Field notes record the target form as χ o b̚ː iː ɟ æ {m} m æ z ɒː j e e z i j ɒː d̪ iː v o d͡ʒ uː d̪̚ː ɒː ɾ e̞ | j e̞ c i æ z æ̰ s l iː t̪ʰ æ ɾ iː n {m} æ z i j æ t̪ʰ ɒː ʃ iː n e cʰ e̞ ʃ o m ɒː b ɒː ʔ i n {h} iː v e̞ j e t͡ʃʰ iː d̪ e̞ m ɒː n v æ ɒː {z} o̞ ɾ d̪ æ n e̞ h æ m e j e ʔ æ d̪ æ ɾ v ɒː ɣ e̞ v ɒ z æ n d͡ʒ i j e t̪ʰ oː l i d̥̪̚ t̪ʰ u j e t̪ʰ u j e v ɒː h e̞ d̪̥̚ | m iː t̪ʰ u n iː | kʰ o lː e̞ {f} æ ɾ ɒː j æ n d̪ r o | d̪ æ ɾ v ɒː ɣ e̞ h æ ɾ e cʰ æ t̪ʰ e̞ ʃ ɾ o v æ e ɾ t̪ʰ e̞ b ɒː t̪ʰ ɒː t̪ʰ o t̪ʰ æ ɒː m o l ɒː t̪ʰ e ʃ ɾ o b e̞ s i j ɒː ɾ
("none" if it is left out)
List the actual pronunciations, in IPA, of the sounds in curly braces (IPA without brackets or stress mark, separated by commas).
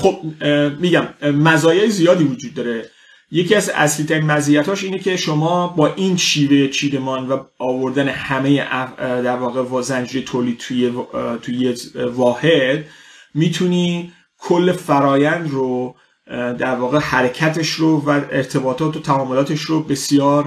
m, m, ʃ, v, f